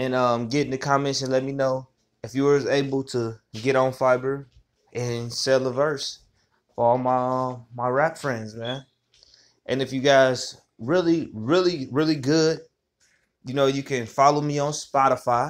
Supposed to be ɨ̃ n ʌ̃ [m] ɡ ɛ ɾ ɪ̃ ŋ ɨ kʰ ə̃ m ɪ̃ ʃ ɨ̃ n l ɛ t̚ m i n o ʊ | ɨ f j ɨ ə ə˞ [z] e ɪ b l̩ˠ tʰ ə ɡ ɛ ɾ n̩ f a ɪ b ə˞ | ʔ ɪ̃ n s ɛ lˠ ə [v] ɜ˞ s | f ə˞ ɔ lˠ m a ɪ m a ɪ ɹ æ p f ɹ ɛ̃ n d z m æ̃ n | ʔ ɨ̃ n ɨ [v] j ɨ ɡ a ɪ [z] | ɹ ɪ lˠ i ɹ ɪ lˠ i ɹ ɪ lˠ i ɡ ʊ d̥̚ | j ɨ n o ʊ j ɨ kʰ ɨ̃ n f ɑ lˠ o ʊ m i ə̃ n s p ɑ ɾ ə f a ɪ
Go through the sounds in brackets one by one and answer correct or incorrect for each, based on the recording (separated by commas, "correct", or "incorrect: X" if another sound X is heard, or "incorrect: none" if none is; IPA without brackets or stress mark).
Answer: correct, correct, correct, incorrect: f, correct